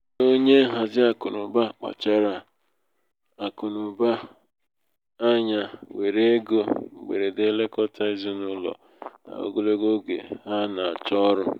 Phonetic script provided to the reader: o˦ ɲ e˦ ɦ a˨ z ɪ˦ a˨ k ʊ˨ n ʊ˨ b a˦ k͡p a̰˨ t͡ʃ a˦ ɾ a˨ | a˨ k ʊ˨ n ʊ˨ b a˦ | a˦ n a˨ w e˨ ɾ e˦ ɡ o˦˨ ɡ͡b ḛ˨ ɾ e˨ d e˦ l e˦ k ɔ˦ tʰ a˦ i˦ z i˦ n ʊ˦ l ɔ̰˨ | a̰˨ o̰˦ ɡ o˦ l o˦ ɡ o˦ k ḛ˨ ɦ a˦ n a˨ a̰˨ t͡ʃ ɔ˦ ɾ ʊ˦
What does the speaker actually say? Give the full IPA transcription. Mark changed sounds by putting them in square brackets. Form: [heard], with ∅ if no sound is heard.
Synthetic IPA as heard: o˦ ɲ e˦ ɦ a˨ z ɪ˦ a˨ k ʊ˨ n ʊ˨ b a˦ k͡p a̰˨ t͡ʃ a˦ ɾ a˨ | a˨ k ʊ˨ n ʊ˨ b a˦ | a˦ [ɲ] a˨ w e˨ ɾ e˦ ɡ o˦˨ ɡ͡b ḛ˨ ɾ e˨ d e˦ l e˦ k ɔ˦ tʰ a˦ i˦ z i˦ n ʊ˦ l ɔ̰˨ | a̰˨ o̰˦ ɡ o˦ l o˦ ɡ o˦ [ɡ] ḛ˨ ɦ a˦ n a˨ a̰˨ t͡ʃ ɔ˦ ɾ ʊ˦